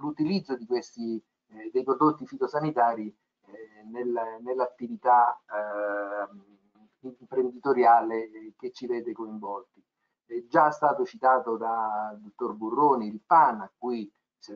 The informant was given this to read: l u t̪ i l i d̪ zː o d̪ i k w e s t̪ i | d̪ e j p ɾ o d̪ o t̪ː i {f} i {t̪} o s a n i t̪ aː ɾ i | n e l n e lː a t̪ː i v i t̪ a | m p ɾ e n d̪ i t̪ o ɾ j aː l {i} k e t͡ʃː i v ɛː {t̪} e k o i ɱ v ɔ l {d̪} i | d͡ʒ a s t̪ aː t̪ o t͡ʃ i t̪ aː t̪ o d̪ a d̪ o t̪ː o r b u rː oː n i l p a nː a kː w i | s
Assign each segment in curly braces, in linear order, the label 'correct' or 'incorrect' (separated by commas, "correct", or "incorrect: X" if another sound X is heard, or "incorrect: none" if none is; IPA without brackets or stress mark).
correct, correct, incorrect: e, incorrect: d̪, incorrect: t̪